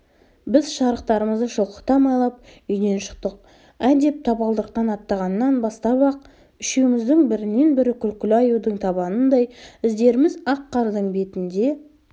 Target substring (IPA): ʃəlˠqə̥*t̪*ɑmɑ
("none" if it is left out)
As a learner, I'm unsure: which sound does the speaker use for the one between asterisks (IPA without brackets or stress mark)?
t̪